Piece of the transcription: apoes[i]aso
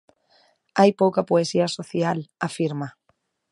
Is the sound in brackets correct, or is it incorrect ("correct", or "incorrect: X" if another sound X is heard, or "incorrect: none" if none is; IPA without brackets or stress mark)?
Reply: correct